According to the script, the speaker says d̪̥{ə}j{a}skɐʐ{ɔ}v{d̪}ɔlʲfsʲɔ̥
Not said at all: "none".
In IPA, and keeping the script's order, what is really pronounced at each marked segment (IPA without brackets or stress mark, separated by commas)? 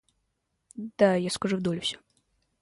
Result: a, a, u, d̪